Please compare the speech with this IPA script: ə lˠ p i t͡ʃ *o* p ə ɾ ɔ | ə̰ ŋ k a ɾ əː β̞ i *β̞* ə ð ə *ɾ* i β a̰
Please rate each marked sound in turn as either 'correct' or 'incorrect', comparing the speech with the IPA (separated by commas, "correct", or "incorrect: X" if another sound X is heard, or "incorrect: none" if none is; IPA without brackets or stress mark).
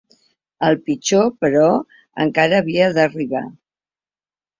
correct, incorrect: none, incorrect: r